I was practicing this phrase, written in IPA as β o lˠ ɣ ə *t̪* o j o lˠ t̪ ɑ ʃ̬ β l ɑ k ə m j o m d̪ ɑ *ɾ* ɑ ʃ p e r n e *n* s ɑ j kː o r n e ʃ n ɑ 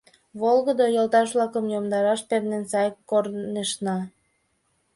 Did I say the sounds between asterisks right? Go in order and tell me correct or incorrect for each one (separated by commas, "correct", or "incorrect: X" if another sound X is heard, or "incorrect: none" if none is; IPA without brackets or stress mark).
incorrect: d̪, correct, correct